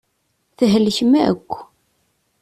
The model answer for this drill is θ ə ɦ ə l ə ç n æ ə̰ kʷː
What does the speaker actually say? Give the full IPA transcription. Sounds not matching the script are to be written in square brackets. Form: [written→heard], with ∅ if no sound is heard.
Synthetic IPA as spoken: θ ə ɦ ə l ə ç [n→m] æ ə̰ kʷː